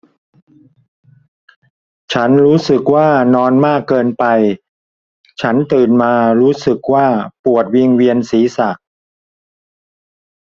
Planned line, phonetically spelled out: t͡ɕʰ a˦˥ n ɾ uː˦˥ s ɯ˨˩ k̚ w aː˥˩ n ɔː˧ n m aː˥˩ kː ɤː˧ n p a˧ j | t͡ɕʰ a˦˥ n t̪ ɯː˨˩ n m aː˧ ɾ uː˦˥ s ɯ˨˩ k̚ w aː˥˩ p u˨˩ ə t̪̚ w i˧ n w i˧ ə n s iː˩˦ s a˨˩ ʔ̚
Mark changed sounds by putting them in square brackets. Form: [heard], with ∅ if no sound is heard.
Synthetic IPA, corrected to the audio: t͡ɕʰ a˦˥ n ɾ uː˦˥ s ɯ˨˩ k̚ w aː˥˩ n ɔː˧ n m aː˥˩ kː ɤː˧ n p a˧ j | t͡ɕʰ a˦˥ n t̪ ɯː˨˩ n m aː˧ ɾ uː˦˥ s ɯ˨˩ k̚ w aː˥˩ p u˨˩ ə t̪̚ w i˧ [ŋ] w i˧ ə n s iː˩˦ s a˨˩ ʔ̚